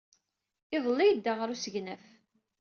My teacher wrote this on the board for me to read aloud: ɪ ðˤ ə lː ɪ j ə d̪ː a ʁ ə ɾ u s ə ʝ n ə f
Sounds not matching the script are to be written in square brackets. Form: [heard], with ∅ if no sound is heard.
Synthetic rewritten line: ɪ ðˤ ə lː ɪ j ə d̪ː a ʁ ə ɾ u s ə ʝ n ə f